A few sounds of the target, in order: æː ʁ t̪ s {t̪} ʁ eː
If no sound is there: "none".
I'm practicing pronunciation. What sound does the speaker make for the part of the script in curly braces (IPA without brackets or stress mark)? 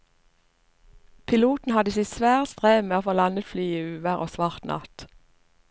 t̪